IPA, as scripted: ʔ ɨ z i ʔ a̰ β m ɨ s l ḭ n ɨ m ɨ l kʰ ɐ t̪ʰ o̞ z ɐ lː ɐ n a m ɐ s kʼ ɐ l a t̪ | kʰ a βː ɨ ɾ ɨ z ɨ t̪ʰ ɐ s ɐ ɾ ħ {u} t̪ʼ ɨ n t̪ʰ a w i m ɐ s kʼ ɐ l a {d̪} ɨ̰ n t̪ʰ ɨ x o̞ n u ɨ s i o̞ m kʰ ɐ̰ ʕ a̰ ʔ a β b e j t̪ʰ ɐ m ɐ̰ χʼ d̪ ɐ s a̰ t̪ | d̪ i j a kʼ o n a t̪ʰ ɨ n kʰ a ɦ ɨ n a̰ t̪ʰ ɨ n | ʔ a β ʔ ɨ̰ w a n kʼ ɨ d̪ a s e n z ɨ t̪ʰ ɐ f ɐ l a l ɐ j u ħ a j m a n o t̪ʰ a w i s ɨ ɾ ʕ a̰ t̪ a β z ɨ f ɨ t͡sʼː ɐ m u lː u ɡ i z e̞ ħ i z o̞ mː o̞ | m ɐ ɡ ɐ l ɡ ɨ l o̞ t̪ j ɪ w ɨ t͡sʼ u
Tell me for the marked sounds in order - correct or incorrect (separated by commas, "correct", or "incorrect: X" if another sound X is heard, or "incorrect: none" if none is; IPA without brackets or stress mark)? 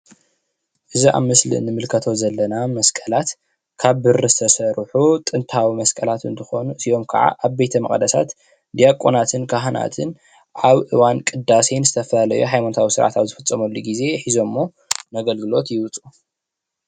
correct, incorrect: t̪